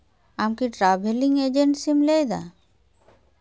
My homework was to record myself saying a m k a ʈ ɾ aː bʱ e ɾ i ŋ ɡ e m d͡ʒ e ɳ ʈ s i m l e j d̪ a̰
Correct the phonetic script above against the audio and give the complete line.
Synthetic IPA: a m k i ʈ ɾ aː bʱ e l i ŋ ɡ e d͡ʒ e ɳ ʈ s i m l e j d̪ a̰